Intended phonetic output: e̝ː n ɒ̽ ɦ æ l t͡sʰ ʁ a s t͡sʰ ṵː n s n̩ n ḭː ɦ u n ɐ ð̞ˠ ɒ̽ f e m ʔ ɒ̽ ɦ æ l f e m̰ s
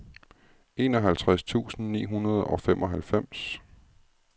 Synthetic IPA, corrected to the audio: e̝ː n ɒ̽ ɦ æ l t͡sʰ ʁ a s t͡sʰ ṵː s n̩ n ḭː ɦ u n ɐ ð̞ˠ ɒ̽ f e m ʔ ɒ̽ ɦ æ l f e m̰ s